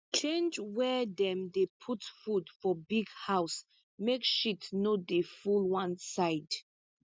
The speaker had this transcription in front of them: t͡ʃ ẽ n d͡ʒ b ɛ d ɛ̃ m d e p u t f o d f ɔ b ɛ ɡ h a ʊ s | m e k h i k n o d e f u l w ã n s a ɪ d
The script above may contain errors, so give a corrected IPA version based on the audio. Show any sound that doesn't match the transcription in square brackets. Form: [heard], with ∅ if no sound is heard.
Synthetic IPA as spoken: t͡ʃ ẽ n d͡ʒ [w] ɛ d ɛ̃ m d e [pʰ] u t f [u] d f ɔ b [i] ɡ h a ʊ s | m e k [ʃ] i [t] n o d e f u l w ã n s a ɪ d